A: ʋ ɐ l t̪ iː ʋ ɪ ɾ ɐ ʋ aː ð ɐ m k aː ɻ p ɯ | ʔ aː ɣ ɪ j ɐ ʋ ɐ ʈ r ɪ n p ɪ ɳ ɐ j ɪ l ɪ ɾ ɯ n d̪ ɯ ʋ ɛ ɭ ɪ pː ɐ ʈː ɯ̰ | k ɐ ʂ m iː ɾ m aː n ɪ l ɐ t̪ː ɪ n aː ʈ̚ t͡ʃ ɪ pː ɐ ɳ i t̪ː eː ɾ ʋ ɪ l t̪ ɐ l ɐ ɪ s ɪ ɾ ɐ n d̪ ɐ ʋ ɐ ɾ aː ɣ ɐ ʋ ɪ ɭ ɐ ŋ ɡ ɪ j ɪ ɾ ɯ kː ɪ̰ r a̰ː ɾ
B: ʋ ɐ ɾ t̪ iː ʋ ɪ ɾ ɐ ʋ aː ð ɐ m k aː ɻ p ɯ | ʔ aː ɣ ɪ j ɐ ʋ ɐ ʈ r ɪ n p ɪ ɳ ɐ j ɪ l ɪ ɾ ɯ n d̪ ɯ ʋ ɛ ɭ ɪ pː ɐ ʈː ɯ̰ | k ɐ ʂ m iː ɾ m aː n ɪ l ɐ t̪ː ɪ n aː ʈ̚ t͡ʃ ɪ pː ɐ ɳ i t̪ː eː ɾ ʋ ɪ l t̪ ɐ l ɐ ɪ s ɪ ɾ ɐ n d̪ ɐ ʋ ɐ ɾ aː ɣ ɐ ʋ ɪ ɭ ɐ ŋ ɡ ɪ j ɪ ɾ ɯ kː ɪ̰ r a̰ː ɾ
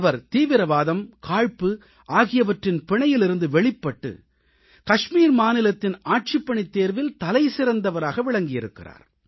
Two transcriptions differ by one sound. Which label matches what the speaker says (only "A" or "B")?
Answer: B